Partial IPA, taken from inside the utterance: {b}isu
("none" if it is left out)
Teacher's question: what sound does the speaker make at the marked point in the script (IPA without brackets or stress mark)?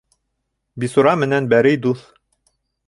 b